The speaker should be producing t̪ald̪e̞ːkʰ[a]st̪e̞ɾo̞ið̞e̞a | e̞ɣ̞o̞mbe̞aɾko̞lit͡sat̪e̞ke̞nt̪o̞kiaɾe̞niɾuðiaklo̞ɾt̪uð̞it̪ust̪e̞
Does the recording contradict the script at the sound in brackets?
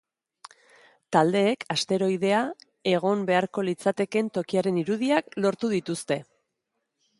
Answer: no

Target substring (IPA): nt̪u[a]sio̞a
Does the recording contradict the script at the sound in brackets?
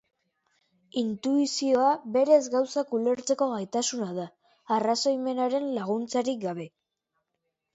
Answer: yes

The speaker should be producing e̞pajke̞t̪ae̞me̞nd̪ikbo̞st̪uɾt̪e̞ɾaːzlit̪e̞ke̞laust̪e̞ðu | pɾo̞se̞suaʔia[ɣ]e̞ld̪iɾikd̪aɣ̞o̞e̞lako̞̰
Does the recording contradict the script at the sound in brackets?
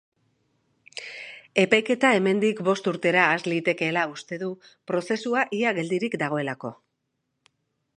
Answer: no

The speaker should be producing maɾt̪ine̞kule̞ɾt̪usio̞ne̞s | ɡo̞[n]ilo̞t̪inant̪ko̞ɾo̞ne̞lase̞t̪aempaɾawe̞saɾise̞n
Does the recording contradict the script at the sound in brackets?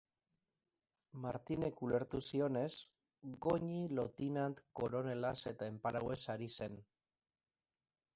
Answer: yes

